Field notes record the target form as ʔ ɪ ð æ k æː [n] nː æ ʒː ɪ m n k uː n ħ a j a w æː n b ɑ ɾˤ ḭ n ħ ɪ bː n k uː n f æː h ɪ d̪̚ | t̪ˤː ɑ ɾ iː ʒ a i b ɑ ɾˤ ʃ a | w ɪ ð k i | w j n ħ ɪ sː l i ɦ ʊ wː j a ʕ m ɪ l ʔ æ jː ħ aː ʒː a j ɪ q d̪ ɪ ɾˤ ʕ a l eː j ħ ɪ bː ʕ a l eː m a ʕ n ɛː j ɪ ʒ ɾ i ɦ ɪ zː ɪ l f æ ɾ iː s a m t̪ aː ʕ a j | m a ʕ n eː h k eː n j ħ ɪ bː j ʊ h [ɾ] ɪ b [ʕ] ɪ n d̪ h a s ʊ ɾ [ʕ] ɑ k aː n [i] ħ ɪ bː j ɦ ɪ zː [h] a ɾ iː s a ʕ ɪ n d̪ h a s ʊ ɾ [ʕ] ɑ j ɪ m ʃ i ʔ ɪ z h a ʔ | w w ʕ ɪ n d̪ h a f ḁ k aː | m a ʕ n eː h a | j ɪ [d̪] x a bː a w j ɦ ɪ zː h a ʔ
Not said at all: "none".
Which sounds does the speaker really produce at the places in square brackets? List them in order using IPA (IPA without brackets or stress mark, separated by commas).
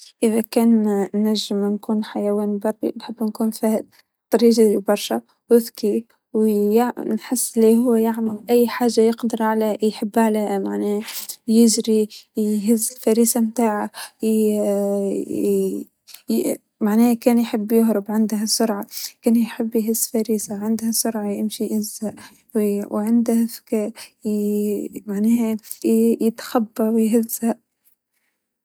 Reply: n, ɾ, ʕ, ʕ, j, f, ʕ, t̪